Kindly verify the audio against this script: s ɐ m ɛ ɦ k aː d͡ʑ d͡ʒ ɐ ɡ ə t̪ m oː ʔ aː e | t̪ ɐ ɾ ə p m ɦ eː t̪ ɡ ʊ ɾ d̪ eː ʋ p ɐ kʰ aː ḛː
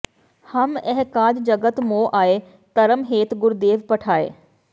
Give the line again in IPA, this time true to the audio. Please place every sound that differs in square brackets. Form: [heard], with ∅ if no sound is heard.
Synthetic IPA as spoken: [h] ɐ m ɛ ɦ k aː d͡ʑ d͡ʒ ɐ ɡ ə t̪ m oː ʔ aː e | t̪ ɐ ɾ ə [∅] m ɦ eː t̪ ɡ ʊ ɾ d̪ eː ʋ p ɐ [ʈʰ] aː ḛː